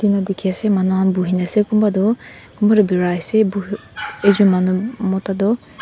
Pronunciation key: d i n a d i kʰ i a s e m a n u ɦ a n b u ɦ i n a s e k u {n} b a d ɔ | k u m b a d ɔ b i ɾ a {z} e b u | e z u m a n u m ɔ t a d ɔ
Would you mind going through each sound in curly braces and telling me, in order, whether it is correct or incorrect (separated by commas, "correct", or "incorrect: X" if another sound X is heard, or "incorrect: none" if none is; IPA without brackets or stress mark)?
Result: incorrect: m, incorrect: s